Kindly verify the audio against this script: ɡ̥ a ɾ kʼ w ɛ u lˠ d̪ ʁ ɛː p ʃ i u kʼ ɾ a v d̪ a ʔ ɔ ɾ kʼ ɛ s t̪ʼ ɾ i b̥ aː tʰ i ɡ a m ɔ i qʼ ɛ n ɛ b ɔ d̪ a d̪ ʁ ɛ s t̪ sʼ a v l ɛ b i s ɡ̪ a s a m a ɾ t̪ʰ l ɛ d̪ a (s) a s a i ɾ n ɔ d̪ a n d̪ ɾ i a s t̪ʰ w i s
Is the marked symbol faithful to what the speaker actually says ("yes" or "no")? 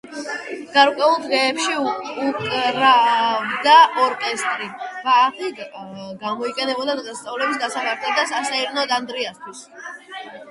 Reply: yes